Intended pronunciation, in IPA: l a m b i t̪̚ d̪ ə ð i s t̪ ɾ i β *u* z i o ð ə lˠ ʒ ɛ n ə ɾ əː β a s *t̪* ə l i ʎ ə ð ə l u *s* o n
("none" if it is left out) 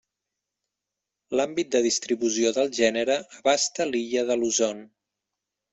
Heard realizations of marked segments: u, t̪, z

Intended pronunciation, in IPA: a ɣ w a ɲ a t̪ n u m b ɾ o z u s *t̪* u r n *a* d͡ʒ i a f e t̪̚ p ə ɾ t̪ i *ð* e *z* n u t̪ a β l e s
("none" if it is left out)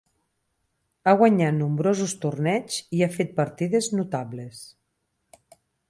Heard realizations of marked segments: t̪, ɛ, ð, z

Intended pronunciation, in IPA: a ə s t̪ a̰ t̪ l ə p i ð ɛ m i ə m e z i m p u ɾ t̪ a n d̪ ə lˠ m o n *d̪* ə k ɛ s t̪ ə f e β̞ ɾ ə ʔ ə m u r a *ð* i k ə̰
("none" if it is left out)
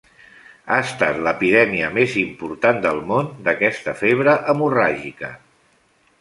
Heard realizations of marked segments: d̪, ʒ

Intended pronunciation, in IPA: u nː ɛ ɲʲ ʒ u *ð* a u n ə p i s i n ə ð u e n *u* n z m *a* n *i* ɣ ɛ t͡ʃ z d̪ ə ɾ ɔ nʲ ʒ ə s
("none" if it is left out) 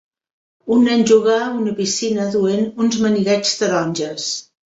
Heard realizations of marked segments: ɣ, u, ə, i

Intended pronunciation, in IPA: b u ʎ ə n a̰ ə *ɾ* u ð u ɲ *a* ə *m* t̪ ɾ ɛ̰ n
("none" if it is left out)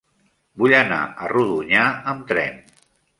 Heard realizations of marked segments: r, a, m

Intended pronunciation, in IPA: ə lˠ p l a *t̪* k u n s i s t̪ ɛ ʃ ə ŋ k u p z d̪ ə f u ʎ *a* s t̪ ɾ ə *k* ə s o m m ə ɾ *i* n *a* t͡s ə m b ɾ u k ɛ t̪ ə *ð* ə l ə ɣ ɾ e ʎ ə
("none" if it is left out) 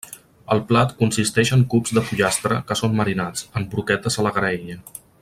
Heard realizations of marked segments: t̪, a, k, i, a, z

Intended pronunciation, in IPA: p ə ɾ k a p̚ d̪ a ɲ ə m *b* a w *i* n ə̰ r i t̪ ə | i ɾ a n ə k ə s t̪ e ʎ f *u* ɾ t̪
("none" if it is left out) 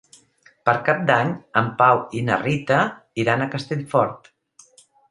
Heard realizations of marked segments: p, i, ɔ

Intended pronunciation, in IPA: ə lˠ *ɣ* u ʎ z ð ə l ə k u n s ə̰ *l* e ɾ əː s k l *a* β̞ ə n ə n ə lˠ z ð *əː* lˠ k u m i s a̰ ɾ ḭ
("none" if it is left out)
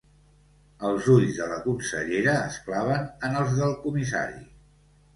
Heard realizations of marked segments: z, ʎ, a, ə

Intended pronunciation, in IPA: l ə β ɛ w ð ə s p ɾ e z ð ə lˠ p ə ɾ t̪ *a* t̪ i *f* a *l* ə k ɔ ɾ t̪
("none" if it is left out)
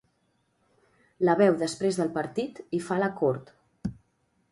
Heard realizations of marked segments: i, f, l

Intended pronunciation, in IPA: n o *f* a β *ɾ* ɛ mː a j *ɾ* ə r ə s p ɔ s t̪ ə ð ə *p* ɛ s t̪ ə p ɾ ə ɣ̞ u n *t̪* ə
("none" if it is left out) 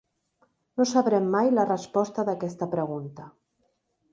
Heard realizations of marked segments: s, ɾ, l, k, t̪

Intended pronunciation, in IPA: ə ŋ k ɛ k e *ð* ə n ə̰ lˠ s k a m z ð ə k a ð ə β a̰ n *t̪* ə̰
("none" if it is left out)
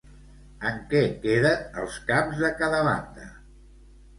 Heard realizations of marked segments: ð, d̪

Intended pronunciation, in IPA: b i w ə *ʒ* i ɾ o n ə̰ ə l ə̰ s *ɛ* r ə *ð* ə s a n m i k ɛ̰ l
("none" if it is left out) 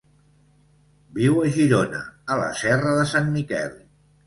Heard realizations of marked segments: ʒ, ɛ, ð

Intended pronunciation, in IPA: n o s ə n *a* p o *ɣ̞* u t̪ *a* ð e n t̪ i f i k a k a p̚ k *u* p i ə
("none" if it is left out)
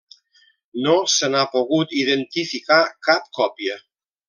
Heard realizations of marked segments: a, ɣ̞, i, ɔ

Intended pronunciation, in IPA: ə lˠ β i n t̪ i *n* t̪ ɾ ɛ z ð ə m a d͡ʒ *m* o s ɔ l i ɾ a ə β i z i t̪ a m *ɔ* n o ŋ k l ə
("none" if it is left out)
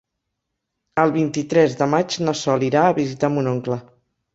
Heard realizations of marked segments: none, n, u

